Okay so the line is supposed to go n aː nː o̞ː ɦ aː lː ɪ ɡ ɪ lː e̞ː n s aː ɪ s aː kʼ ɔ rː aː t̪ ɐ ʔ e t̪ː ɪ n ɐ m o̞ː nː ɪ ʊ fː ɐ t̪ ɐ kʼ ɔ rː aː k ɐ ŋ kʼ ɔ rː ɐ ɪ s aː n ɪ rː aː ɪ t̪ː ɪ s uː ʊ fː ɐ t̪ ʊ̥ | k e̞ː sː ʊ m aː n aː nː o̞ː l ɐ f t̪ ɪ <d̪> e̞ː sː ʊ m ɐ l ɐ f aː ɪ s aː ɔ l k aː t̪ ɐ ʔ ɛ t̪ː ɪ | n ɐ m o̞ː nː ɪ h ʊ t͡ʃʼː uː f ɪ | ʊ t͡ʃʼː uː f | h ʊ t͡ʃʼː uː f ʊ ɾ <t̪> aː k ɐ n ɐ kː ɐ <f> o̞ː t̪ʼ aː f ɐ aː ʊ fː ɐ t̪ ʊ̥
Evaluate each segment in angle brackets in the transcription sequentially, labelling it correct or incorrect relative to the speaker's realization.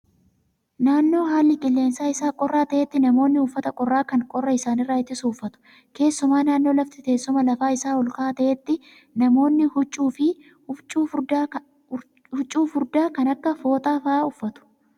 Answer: incorrect: t̪, incorrect: d̪, correct

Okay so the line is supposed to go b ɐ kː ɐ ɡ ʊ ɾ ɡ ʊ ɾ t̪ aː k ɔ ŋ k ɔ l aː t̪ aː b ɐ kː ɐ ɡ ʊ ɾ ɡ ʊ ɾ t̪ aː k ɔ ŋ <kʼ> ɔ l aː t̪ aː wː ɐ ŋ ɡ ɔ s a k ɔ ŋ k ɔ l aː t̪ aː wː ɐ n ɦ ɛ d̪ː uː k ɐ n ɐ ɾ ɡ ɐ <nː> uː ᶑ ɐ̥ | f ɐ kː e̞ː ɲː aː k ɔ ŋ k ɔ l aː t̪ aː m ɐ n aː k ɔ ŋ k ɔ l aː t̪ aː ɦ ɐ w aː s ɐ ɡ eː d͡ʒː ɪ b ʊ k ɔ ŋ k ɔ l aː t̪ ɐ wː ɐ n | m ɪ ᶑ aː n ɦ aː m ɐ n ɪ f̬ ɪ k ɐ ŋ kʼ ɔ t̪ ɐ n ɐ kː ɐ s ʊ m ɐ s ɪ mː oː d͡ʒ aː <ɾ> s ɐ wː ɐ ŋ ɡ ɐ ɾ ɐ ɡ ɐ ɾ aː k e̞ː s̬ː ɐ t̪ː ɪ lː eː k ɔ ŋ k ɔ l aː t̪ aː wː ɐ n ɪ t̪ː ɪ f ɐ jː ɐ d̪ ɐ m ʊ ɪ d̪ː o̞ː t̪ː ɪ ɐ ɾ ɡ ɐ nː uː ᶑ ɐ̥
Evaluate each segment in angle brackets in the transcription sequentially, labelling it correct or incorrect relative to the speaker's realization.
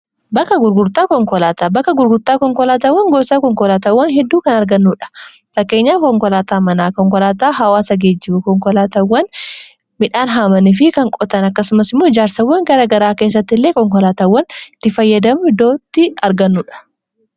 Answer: incorrect: k, correct, correct

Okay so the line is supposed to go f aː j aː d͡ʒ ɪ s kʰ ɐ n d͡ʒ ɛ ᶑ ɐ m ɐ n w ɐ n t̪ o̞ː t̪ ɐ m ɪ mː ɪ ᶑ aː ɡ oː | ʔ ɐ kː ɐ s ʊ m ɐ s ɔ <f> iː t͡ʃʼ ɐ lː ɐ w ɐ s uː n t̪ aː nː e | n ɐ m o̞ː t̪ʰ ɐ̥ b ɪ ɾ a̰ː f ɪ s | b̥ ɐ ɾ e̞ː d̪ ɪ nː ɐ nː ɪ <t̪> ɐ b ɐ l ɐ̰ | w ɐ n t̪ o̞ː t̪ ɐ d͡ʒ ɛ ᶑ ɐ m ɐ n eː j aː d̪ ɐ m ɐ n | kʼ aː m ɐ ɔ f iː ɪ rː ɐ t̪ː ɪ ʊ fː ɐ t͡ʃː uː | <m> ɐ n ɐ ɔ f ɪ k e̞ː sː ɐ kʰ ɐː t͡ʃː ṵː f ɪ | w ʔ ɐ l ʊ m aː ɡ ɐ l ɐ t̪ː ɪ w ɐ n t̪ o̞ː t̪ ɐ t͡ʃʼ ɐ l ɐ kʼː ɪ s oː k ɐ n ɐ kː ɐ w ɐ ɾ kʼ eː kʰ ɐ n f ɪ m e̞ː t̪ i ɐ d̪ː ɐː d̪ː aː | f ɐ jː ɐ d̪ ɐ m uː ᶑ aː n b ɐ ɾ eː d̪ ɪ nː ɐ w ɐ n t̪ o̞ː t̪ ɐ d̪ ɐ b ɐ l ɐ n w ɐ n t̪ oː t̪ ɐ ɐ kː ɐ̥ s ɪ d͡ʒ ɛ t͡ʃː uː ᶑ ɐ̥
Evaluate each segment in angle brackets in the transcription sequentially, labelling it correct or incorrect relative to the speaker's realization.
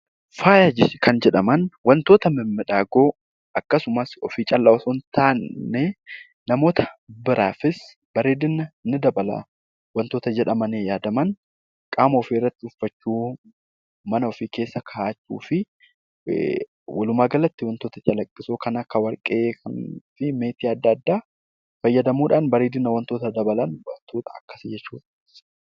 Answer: correct, incorrect: d̪, correct

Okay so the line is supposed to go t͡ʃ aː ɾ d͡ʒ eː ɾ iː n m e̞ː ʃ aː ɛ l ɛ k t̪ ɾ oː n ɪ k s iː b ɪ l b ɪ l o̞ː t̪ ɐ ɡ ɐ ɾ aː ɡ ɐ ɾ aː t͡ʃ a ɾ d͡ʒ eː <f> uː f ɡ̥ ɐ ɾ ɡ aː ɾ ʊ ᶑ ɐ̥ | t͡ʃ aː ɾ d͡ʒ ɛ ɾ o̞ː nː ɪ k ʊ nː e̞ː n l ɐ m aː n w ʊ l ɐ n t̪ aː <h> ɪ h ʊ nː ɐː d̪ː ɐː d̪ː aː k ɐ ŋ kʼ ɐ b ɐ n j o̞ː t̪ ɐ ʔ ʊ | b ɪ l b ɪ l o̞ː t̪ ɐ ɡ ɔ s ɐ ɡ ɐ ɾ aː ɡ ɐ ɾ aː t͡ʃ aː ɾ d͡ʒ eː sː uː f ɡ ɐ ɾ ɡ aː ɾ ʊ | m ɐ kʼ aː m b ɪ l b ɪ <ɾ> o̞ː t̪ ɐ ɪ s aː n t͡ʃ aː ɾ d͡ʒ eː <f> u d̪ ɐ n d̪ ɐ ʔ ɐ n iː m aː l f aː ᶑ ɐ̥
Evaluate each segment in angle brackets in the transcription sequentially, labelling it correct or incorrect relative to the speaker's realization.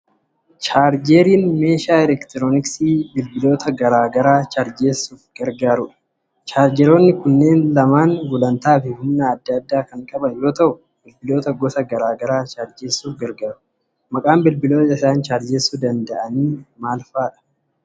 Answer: incorrect: s, incorrect: f, incorrect: l, incorrect: s

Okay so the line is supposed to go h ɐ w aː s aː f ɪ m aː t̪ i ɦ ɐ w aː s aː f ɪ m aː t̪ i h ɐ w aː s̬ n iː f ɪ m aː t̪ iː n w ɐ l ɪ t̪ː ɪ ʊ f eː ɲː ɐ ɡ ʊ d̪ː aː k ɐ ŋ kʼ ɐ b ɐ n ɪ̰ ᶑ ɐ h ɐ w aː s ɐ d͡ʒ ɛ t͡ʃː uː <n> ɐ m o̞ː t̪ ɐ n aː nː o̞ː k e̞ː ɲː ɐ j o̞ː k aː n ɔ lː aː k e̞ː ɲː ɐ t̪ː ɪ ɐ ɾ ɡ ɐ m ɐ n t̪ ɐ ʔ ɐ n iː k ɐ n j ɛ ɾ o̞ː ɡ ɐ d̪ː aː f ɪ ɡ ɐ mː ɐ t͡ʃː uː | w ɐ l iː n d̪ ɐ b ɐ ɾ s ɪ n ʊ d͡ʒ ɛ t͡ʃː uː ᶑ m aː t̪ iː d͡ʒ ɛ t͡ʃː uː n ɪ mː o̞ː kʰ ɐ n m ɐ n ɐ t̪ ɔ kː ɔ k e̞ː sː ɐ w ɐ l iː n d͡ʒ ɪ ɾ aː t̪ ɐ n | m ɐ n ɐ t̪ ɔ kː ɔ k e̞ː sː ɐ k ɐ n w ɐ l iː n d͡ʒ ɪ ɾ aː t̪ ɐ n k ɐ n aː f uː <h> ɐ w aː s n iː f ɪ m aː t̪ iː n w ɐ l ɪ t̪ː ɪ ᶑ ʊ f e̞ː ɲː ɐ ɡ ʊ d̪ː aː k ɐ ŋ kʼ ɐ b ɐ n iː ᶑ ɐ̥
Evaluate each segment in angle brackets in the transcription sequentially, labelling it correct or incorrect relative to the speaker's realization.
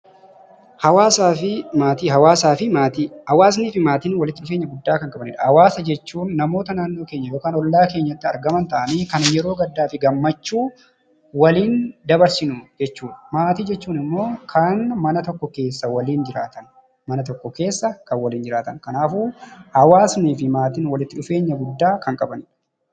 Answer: incorrect: nː, correct

